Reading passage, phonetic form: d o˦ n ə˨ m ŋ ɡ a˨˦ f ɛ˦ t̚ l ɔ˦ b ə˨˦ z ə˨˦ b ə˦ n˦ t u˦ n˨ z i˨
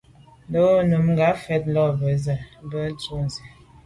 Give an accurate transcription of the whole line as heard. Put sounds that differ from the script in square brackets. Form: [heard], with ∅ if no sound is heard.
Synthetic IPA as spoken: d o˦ n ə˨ m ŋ ɡ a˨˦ f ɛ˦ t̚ l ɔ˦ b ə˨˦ z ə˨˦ b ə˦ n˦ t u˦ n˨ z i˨